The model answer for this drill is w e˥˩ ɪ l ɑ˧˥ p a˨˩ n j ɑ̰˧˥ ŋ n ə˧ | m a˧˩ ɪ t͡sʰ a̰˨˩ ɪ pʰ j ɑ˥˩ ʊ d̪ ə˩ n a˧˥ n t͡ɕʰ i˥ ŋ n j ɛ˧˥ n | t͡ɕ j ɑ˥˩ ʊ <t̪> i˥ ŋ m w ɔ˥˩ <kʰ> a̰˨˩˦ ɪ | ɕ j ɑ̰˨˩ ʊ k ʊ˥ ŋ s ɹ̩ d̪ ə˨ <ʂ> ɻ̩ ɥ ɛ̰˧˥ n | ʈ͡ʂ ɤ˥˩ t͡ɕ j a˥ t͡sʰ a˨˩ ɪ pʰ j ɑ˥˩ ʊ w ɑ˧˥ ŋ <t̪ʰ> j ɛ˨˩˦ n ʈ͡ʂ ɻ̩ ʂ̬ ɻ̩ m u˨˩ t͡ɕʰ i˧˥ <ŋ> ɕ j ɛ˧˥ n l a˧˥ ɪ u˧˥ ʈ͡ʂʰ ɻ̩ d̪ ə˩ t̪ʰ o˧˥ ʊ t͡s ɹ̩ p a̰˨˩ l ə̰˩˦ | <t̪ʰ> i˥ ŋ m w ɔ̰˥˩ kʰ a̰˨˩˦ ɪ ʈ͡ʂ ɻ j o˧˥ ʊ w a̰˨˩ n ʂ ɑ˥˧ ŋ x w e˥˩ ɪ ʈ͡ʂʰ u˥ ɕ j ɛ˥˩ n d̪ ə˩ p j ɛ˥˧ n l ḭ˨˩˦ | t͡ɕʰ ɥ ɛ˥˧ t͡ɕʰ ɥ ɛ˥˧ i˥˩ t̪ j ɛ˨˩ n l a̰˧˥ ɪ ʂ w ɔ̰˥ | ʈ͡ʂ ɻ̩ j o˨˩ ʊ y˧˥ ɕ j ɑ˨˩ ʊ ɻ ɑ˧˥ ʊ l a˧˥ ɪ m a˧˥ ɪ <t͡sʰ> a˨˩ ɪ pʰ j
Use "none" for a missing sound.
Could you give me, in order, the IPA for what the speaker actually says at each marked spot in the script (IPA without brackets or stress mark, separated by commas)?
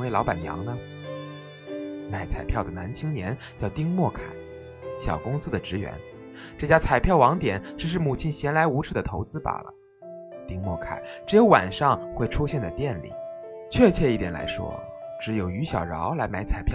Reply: t̪, kʰ, ʈ͡ʂ, t̪, n, t̪, t͡sʰ